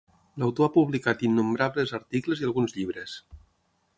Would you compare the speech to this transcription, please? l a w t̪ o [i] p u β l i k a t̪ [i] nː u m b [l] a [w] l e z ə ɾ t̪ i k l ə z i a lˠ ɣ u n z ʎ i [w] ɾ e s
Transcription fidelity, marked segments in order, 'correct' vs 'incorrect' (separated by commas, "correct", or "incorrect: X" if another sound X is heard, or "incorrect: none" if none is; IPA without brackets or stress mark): incorrect: a, correct, incorrect: ɾ, incorrect: β, incorrect: β